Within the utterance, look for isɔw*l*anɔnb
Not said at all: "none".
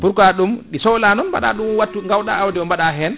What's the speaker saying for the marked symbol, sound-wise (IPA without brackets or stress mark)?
l